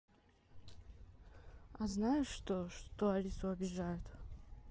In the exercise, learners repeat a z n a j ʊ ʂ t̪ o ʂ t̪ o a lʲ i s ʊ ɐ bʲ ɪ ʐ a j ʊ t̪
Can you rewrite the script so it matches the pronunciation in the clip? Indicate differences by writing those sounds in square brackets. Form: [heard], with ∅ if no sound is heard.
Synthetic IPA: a z n a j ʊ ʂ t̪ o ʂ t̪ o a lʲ i s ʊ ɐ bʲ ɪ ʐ a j ʊ t̪